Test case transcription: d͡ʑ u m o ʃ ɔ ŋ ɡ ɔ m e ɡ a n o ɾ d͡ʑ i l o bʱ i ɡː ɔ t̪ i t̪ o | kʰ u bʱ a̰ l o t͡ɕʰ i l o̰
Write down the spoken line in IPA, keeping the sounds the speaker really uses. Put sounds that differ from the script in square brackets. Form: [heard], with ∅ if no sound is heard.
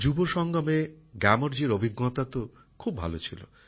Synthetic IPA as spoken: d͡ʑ u [b] o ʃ ɔ ŋ ɡ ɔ m e ɡ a [m] o ɾ d͡ʑ i [ɾ] o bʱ i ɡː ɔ t̪ [a] t̪ o | kʰ u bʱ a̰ l o t͡ɕʰ i l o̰